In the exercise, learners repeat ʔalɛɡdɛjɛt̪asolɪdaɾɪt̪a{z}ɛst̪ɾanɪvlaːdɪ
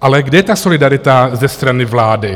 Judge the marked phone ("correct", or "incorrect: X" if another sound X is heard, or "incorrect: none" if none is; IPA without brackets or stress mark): correct